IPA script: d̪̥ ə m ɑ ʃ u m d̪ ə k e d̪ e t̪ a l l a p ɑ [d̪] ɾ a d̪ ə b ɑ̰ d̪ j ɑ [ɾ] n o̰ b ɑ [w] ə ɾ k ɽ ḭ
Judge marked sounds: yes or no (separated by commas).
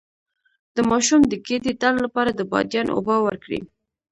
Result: no, no, yes